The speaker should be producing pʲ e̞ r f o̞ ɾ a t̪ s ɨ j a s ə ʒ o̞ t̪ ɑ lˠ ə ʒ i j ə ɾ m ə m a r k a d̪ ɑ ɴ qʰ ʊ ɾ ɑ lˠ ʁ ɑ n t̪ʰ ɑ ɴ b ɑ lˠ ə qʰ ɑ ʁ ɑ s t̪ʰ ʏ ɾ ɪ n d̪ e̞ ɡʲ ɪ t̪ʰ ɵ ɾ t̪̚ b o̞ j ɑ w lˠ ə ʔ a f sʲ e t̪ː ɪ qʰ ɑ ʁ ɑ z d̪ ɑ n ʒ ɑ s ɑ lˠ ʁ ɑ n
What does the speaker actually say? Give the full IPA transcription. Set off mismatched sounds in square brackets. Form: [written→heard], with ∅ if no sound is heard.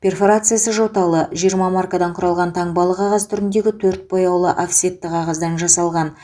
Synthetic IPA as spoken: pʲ e̞ r f o̞ ɾ a t̪ s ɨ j a s ə ʒ o̞ t̪ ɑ lˠ ə ʒ i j ə ɾ m [ə→ɑ] m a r k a d̪ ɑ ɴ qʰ ʊ ɾ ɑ lˠ ʁ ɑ n t̪ʰ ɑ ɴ b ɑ lˠ ə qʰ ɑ ʁ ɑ s t̪ʰ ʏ ɾ ɪ n d̪ e̞ ɡʲ ɪ t̪ʰ ɵ ɾ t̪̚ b o̞ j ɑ w lˠ ə ʔ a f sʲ e t̪ː ɪ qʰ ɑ ʁ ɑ z d̪ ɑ n ʒ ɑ s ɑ lˠ ʁ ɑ n